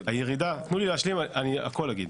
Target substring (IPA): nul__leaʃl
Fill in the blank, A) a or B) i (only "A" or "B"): B